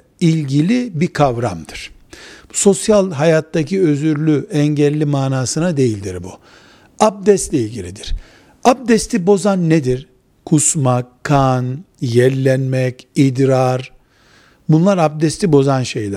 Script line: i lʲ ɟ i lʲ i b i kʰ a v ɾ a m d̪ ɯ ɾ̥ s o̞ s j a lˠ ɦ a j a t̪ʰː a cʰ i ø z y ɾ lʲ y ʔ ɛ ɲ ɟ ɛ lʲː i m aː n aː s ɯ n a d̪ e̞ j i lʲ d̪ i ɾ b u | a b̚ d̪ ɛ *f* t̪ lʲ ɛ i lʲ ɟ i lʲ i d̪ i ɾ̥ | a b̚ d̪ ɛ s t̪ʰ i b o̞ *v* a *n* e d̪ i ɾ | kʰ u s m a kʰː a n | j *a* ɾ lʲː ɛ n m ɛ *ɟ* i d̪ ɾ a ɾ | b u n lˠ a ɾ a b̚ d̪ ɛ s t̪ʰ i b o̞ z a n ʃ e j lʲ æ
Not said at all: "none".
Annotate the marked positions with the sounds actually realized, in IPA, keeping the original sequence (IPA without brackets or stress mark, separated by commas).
s, z, nː, ɛ, c